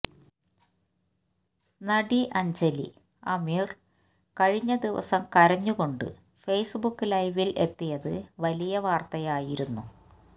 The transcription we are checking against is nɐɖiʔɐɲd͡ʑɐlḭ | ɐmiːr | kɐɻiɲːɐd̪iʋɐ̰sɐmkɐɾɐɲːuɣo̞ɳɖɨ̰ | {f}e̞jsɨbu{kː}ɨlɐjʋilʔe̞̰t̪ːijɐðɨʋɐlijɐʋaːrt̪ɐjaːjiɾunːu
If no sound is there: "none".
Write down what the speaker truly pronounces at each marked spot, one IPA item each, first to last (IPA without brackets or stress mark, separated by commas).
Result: f, kː